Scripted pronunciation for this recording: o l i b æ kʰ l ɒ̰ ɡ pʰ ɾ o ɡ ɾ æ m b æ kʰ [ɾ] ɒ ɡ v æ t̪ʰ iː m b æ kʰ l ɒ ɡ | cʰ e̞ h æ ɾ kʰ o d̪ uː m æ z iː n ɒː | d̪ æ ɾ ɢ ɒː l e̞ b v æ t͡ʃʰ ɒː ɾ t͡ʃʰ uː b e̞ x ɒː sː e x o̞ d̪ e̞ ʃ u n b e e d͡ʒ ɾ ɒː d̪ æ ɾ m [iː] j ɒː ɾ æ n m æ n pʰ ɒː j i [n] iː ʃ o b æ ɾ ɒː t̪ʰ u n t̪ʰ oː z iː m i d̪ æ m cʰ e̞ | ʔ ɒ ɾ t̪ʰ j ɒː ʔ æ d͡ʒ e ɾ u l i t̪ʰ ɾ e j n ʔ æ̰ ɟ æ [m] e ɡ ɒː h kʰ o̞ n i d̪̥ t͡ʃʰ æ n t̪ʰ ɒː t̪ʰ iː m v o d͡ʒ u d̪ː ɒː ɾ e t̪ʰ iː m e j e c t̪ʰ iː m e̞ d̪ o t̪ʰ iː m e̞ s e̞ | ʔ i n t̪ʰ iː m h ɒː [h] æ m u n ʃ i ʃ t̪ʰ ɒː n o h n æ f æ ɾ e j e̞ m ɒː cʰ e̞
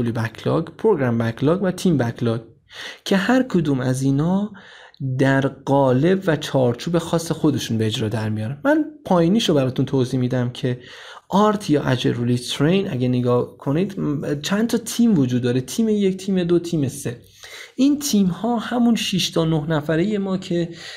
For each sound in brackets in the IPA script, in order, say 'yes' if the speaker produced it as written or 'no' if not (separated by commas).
no, no, yes, no, yes